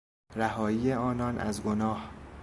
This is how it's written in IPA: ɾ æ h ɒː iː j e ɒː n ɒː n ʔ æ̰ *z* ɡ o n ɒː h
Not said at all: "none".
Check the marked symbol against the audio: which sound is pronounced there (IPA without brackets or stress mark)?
z